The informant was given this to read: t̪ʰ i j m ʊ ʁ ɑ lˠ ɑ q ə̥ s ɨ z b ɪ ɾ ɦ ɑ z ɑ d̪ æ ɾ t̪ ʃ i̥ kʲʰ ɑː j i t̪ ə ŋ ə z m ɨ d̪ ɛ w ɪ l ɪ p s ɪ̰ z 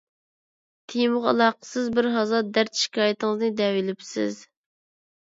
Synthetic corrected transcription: t̪ʰ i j m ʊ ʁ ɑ lˠ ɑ q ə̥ s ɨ z b ɪ ɾ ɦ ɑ z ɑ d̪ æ ɾ t̪ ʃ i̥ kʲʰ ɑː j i t̪ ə ŋ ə z n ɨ d̪ ɛ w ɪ l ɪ p s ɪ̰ z

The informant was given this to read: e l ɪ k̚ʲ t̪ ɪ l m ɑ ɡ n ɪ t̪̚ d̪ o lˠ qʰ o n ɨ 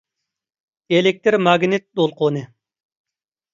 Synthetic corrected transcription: e l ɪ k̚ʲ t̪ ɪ ɾ m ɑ ɡ n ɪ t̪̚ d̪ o lˠ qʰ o n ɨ

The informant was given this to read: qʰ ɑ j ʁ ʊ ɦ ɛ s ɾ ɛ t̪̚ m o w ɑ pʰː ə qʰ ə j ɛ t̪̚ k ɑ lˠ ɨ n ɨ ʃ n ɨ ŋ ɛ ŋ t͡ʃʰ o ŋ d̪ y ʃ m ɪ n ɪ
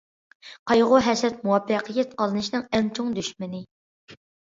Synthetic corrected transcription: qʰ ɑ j ʁ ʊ ɦ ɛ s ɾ ɛ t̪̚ m u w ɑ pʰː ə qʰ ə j ɛ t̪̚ q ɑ lˠ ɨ n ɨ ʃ n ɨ ŋ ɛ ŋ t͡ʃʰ o ŋ d̪ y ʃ m ɪ n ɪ

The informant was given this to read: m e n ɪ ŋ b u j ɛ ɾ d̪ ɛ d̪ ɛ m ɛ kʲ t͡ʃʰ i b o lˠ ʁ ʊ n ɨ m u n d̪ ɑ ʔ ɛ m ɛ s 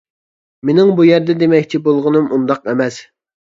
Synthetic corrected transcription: m e n ɪ ŋ b u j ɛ ɾ d̪ ɛ d̪ e m ɛ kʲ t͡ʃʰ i b o lˠ ʁ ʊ n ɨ m u n d̪ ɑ q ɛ m ɛ s

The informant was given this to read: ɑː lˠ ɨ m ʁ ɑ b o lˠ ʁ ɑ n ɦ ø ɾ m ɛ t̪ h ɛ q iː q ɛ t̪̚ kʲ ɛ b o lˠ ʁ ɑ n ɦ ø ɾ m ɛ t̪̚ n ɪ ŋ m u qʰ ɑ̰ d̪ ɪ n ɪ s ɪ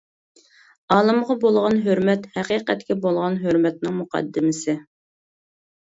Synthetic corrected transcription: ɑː lˠ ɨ m ʁ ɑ b o lˠ ʁ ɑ n ɦ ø ɾ m ɛ t̪ h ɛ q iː q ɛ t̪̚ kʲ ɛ b o lˠ ʁ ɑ n ɦ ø ɾ m ɛ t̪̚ n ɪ ŋ m u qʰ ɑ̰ d̪ː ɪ m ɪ s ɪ

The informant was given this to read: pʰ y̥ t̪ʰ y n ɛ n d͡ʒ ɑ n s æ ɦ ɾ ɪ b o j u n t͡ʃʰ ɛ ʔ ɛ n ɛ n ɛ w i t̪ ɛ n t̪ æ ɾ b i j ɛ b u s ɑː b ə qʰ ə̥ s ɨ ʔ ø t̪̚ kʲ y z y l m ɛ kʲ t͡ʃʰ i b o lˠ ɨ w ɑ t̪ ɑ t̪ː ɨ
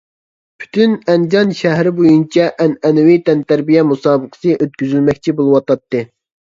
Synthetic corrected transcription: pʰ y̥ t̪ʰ y n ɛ n d͡ʒ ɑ n ʃ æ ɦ ɾ ɪ b o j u n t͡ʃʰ ɛ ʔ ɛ n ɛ n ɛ w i t̪ ɛ n t̪ æ ɾ b i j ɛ m u s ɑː b ə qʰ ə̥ s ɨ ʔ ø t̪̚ kʲ y z y l m ɛ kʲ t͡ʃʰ i b o lˠ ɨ w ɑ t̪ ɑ t̪ː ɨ

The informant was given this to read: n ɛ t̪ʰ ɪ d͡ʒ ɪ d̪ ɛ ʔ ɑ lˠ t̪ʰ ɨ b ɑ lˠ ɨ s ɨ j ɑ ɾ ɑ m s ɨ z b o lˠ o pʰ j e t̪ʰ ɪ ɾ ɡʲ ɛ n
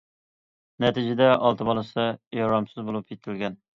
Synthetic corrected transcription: n ɛ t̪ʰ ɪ d͡ʒ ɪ d̪ ɛ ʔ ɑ lˠ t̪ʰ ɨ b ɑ lˠ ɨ s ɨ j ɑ ɾ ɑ m s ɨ z b o lˠ u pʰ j e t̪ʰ ɪ l ɡʲ ɛ n

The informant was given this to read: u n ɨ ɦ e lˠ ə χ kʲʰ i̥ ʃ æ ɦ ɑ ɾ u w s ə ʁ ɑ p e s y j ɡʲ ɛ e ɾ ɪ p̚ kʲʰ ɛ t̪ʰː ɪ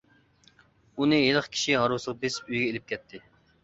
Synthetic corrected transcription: u n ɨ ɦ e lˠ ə χ kʲʰ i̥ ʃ i ɦ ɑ ɾ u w s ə ʁ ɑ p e s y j ɡʲ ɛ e l ɪ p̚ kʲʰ ɛ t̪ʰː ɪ

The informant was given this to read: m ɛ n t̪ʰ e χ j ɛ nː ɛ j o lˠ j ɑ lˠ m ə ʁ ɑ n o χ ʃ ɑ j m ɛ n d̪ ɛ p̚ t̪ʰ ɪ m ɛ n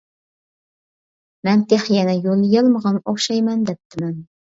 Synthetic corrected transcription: m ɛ n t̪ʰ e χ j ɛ n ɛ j o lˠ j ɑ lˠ m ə ʁ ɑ n o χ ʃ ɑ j m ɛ n d̪ ɛ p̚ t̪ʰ ɪ m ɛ n

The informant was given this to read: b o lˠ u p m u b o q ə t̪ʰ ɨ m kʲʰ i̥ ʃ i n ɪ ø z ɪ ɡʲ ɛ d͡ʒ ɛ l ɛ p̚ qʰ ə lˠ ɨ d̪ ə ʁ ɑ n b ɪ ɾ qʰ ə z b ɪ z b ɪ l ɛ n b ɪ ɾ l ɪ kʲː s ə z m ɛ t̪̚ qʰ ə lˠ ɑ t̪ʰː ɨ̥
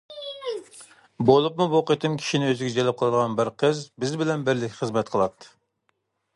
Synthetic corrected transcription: b o lˠ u p m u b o q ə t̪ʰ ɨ m kʲʰ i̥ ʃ i n ɪ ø z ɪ ɡʲ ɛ d͡ʒ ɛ l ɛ p̚ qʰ ə lˠ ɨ d̪ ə ʁ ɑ n b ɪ ɾ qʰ ə z b ɪ z b ɪ l ɛ n b ɪ ɾ l ɪ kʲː χ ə z m ɛ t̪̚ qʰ ə lˠ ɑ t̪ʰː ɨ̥

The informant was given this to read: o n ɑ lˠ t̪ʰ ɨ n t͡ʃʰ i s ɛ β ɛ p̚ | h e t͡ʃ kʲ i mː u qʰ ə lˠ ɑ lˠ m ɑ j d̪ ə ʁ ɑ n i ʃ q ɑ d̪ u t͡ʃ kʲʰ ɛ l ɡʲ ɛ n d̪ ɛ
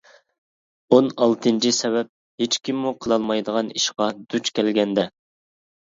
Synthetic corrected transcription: o n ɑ lˠ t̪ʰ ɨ n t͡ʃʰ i s ɛ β ɛ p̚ | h e t͡ʃ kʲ i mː u qʰ ə lˠ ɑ lˠ m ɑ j d̪ ə ʁ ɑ n i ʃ q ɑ d̪ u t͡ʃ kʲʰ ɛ l ɡʲ ɛ n d̪ ɛ

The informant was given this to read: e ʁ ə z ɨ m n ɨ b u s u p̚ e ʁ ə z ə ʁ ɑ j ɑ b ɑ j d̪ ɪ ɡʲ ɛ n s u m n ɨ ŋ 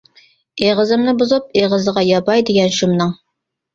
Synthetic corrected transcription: e ʁ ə z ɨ m n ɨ b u z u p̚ e ʁ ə z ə ʁ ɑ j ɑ b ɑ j d̪ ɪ ɡʲ ɛ n ʃ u m n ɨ ŋ

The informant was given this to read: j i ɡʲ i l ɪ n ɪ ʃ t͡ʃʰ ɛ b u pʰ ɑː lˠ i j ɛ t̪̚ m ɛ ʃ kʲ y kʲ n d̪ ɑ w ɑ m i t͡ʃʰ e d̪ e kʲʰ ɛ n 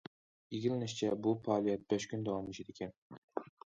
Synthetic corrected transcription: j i ɡʲ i l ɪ n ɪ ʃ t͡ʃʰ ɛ b u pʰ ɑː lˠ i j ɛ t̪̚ b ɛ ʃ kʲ y n d̪ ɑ w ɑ m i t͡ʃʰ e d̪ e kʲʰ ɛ n

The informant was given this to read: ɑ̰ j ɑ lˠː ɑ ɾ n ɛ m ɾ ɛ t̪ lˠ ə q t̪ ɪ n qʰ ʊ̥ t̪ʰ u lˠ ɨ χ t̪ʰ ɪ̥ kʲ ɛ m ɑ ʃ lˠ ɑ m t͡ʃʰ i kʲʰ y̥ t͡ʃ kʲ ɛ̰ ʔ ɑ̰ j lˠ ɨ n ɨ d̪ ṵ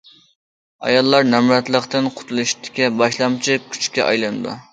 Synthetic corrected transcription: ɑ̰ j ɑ lˠː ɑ ɾ n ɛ m ɾ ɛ t̪ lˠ ə q t̪ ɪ n qʰ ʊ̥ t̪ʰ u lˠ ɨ ʃ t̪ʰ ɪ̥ kʲ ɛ b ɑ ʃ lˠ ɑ m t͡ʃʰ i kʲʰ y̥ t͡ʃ kʲ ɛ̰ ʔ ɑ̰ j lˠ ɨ n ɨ d̪ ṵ

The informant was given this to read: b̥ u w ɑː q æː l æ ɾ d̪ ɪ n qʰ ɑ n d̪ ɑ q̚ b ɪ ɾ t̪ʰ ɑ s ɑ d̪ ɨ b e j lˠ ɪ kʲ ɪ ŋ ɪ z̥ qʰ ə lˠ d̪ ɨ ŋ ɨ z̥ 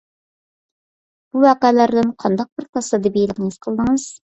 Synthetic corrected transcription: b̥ u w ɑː q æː l æ ɾ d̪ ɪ n qʰ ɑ n d̪ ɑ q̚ b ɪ ɾ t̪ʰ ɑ s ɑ d̪ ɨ b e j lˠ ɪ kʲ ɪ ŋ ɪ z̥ qʰ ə lˠ d̪ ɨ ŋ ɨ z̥

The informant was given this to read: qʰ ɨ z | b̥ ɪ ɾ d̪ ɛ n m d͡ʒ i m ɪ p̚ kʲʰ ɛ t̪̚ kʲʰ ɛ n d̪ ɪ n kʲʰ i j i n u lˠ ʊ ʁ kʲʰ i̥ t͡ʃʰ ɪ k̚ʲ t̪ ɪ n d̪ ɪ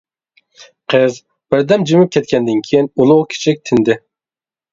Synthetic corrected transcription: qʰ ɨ z | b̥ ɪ ɾ d̪ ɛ m d͡ʒ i m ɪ p̚ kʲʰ ɛ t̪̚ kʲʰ ɛ n d̪ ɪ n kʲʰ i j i n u lˠ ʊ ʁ kʲʰ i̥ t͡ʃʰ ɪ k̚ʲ t̪ʰ ɪ n d̪ ɪ

